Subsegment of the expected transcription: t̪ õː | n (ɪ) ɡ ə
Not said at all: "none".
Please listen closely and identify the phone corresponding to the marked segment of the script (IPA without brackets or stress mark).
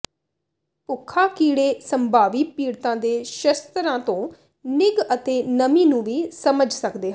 ɪ